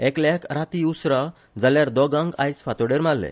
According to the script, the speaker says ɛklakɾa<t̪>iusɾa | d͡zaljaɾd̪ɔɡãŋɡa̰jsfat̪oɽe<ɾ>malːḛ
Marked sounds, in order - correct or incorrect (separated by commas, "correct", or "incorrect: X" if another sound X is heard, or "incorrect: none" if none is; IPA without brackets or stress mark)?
correct, correct